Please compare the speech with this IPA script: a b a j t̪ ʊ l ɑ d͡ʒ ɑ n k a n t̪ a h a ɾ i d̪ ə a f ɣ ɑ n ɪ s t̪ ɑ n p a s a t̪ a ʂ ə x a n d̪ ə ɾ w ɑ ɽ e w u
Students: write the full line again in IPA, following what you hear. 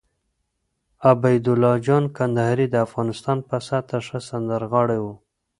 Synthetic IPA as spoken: a b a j d̪ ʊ l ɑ d͡ʒ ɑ n k a n d̪ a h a ɾ i d̪ ə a f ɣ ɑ n ɪ s t̪ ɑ n p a s a t̪ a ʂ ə s a n d̪ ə ɾ ɣ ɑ ɽ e w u